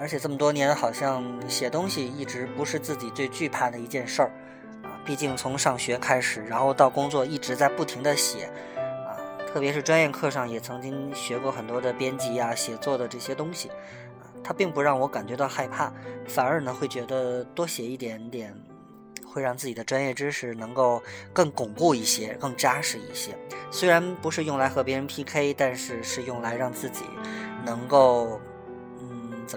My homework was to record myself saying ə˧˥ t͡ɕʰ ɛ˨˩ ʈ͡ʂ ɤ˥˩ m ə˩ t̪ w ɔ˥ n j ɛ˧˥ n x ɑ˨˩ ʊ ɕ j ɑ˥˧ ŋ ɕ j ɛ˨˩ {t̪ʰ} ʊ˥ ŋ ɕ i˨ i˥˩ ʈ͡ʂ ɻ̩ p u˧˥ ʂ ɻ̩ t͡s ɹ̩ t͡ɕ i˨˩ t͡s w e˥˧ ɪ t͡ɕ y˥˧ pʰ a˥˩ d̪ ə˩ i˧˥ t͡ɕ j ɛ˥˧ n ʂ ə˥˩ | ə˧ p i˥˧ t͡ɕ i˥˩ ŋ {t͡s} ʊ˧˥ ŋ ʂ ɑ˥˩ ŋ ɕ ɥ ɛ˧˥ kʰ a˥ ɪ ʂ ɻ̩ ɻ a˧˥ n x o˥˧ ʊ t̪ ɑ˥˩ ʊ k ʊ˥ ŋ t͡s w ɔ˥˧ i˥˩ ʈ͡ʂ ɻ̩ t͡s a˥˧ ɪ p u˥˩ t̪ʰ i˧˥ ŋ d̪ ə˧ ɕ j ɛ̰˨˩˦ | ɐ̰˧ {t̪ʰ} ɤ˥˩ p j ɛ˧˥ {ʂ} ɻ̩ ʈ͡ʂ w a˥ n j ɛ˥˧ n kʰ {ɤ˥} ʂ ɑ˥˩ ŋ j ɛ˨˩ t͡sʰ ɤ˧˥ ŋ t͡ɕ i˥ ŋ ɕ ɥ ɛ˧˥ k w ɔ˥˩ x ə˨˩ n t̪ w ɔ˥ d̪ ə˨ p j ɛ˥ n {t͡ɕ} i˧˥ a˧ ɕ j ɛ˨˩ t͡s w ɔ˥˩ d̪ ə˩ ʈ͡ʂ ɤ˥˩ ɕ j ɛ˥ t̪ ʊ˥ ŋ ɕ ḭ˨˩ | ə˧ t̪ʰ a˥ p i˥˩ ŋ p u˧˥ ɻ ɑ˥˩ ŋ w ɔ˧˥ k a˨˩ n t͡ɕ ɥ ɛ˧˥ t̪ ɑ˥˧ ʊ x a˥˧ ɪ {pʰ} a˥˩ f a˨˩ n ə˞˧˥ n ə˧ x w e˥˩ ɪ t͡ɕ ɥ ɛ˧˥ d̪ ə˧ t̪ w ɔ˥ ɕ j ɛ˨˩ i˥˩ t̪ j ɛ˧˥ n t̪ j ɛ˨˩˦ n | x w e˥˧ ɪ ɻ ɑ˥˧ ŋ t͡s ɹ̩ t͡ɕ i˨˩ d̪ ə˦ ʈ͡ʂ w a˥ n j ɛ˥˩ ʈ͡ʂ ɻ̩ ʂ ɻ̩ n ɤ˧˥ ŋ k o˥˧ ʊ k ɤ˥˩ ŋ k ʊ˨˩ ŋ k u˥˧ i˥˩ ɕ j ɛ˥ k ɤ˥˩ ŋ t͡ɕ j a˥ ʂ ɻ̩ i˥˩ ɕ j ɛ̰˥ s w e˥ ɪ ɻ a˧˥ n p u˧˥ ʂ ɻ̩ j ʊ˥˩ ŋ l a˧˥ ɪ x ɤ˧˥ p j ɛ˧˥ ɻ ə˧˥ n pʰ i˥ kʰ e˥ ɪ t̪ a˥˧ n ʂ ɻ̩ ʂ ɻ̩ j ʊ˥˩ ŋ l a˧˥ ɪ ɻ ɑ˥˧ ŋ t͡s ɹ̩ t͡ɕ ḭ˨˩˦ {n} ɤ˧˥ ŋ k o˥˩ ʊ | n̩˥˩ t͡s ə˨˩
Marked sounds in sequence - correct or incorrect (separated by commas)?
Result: incorrect, incorrect, correct, correct, incorrect, correct, correct, correct